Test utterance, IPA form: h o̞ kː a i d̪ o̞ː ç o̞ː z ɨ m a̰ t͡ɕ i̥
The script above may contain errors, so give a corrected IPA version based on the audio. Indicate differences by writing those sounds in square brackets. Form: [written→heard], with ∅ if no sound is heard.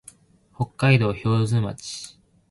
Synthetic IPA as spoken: h o̞ kː a i d̪ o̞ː ç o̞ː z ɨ m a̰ t͡ɕ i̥